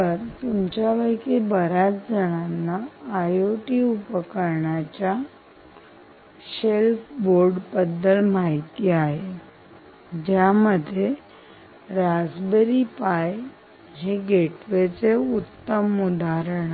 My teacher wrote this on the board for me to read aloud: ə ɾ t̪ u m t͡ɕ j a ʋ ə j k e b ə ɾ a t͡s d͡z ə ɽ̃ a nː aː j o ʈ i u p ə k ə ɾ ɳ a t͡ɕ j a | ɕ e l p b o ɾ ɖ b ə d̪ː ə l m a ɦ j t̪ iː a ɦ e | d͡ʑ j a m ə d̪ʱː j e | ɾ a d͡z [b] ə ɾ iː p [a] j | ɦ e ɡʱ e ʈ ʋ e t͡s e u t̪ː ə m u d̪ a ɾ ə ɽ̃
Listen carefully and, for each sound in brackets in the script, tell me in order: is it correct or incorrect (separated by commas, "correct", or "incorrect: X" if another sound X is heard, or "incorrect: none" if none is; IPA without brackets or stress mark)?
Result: correct, correct